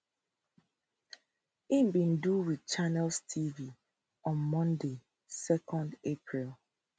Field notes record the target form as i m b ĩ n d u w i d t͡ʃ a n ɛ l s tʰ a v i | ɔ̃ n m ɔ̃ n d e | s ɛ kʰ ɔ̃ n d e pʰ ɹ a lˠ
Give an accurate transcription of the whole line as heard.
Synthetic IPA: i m b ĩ n d u w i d t͡ʃ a n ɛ l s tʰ i v i | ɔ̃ n m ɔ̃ n d e | s ɛ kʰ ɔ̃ n d e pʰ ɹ i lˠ

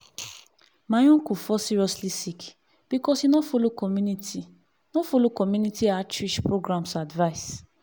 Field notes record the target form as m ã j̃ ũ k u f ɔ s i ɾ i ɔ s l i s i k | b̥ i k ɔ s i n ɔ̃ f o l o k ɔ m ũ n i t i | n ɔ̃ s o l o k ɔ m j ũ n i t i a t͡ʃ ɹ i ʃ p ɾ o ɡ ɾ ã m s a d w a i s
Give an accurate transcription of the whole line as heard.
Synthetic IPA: m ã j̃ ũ k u f ɔ s i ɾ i ɔ s l i s i k | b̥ i k ɔ s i n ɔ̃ f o l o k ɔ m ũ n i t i | n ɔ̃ f o l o k ɔ m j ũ n i t i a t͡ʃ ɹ i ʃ p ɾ o ɡ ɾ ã m s a d v a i s

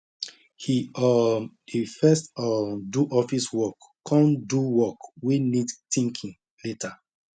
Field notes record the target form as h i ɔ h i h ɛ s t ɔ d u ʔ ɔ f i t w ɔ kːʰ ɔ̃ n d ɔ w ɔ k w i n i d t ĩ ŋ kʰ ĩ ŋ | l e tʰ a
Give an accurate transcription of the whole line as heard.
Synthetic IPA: h i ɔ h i f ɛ s t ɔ d u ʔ ɔ f i s w ɔ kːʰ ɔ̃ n d u w ɔ k w i n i d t ĩ ŋ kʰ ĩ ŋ | l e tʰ a

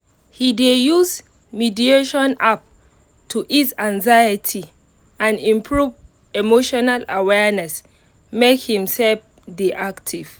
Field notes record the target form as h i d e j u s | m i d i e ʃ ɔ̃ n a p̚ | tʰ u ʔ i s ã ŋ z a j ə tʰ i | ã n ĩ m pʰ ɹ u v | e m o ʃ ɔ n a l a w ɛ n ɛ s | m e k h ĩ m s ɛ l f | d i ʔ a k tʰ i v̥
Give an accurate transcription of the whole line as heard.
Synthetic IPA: h i d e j u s | m i d i e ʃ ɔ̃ n a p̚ | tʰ u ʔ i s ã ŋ z a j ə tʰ i | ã n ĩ m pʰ ɹ u v | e m o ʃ ɔ n a l a w ɛ n ɛ s | m e k h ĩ m s ɛ l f | d i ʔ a k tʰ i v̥

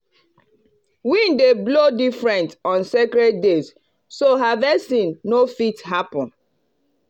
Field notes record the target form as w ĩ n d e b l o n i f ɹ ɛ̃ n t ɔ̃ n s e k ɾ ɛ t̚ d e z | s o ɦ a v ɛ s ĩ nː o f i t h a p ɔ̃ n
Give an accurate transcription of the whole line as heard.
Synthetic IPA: w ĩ n d e b l o d i f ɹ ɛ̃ n t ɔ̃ n s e k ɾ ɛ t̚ d e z | s o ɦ a v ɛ s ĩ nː o f i t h a p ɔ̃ n

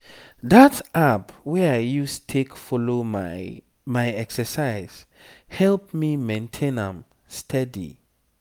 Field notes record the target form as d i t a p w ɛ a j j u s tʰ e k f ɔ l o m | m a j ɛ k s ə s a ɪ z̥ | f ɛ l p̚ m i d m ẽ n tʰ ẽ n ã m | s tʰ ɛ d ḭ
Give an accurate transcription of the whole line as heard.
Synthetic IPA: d a t a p w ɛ a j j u s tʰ e k f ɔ l o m | m a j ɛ k s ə s a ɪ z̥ | h ɛ l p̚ m i m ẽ n tʰ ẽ n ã m | s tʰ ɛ d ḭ

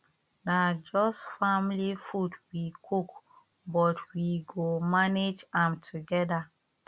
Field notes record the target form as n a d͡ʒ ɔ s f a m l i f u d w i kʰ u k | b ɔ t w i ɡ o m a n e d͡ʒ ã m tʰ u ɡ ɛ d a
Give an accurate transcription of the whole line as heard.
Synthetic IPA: n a d͡ʒ ɔ s f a m l i f u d w i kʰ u k | b ɔ t w i ɡ o m a n e d͡ʒ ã m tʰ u ɡ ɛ d a

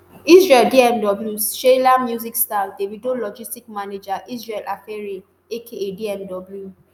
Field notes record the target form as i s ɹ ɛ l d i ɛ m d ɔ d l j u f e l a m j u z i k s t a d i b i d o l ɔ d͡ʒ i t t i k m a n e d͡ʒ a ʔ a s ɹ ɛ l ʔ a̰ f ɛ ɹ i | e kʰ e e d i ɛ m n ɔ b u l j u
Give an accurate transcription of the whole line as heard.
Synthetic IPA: i s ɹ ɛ l d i ɛ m d ɔ b l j u ʃ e l a m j u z i k s t a d e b i d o l ɔ d͡ʒ i s t i k m a n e d͡ʒ a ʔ i s ɹ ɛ l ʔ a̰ f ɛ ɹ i | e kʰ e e d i ɛ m d ɔ b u l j u

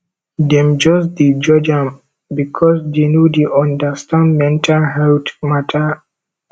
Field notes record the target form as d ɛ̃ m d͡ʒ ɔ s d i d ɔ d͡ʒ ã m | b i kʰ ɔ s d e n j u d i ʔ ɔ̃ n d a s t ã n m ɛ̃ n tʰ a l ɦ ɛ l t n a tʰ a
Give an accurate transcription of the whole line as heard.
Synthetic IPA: d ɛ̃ m d͡ʒ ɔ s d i d͡ʒ ɔ d͡ʒ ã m | b i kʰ ɔ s d e n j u d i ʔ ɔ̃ n d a s t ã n m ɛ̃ n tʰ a l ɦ ɛ l t m a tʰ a

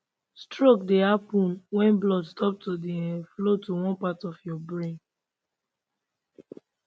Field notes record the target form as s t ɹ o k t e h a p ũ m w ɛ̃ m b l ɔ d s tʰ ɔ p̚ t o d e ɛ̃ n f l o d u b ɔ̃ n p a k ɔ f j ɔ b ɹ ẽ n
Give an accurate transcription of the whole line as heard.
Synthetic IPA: s t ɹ o k d e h a p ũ n w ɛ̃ n b l ɔ d s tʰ ɔ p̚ t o d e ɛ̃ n f l o t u w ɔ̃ n p a t ɔ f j ɔ b ɹ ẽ n

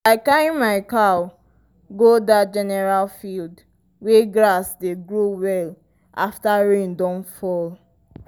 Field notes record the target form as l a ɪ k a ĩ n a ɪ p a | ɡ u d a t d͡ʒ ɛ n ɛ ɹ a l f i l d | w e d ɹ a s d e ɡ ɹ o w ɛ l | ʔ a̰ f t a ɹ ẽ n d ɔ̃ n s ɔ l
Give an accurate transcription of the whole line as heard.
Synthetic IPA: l a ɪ k a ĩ m a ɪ k a | ɡ o d a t d͡ʒ ɛ n ɛ ɹ a l f i l d | w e ɡ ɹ a s d e ɡ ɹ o w ɛ l | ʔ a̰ f t a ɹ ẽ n d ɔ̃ n f ɔ l

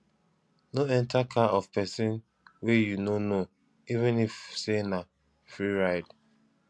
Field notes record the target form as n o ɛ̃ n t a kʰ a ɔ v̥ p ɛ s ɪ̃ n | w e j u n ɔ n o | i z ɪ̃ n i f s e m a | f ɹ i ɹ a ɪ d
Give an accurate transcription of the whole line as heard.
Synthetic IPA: n o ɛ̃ n t a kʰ a ɔ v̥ p ɛ s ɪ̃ n | w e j u n o n o | i v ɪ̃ n i f s e n a | f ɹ i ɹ a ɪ d

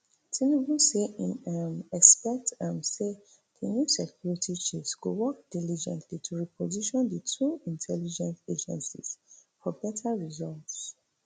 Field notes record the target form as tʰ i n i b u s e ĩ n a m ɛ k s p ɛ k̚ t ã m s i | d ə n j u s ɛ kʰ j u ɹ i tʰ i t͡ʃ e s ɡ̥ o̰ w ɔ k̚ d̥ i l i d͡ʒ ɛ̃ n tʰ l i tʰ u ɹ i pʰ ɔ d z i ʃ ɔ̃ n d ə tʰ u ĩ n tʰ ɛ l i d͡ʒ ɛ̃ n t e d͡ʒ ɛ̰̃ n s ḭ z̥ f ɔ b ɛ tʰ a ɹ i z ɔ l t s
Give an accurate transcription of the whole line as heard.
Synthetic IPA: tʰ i n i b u s e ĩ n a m ɛ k s p ɛ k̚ t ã m s e | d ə n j u s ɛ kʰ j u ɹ i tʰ i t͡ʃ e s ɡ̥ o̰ w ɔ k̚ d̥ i l i d͡ʒ ɛ̃ n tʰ l i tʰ u ɹ i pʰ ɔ z i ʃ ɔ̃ n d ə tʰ u ĩ n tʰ ɛ l i d͡ʒ ɛ̃ n t e d͡ʒ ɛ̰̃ n s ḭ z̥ f ɔ b ɛ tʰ a ɹ i z ɔ l t s

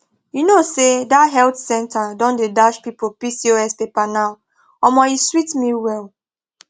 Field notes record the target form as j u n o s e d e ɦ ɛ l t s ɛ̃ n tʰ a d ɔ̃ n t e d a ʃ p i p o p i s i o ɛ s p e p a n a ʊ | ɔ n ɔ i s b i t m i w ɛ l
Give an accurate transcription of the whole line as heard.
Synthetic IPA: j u n o s e d a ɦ ɛ l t s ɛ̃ n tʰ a d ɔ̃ n d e d a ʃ p i p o p i s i o ɛ s p e p a n a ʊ | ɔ m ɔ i s w i t m i w ɛ l

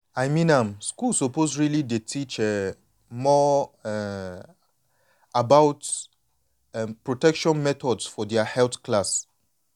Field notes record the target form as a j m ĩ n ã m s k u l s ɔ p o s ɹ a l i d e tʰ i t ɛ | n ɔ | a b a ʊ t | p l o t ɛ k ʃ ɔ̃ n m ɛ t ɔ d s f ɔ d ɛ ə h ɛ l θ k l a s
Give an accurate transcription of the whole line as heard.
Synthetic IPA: a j m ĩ n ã m s k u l s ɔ p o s ɹ i l i d e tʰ i t͡ʃ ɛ | m ɔ | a b a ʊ t | p ɹ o t ɛ k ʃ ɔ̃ n m ɛ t ɔ d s f ɔ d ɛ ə h ɛ l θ k l a s

